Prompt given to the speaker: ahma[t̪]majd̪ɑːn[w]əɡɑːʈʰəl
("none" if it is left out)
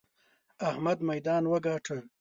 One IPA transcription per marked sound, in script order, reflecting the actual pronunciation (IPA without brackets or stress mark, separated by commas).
d̪, w